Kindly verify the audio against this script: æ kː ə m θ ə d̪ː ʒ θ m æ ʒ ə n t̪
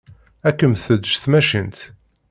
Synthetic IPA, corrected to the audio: æ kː ə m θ ə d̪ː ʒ θ m æ ʃ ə n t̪